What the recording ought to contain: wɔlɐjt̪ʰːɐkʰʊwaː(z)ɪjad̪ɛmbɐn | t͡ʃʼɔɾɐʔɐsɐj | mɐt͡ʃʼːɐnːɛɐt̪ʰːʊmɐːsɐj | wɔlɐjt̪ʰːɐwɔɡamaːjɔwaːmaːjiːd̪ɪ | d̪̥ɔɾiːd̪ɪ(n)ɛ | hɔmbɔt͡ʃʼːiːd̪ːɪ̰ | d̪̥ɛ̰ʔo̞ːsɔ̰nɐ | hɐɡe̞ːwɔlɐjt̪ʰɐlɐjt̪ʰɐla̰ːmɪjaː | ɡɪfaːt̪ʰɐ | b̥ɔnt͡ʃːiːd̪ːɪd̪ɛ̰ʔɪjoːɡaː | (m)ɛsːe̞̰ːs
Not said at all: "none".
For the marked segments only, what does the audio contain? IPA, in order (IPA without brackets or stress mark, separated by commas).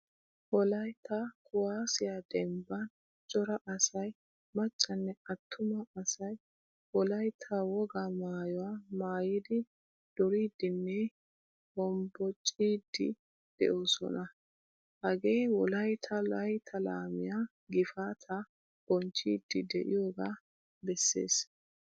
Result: s, nː, b